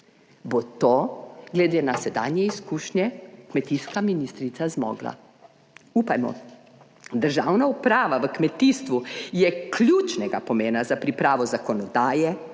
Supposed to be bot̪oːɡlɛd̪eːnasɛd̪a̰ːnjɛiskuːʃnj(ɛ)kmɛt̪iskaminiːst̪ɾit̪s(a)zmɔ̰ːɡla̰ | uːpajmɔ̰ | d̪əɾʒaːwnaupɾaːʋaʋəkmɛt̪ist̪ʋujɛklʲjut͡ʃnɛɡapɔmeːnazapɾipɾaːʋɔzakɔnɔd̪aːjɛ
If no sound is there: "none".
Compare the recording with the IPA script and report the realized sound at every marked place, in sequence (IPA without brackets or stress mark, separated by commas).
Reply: ɛ, a